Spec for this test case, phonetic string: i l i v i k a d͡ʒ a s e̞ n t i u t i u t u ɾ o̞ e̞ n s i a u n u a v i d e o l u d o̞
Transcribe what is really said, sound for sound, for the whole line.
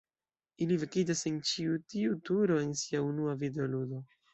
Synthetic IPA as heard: i l i v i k i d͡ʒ a s e̞ n t͡ʃ i u t i u t u ɾ o̞ e̞ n s i a u n u a v i d e o l u d o̞